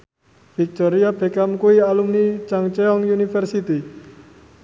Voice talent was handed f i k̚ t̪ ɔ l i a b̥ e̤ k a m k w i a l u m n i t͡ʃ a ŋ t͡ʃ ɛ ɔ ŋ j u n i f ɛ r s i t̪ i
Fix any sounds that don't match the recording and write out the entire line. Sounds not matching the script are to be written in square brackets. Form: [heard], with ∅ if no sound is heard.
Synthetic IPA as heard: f i k̚ t̪ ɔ [ɾ] i a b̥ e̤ k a m k [u] i a l u m n i t͡ʃ a ŋ t͡ʃ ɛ ɔ ŋ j u n i f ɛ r s i t̪ i